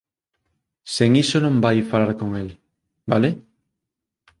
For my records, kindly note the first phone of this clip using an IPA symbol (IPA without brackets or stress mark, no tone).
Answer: s